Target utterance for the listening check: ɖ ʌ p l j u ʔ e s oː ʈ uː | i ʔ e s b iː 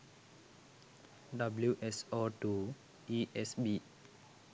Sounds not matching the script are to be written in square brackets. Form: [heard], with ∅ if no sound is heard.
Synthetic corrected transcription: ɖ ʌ [b] l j u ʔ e s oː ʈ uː | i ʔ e s b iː